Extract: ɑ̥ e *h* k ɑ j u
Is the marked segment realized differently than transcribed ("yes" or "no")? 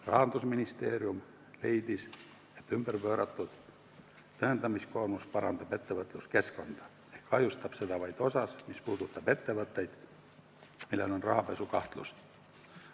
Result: no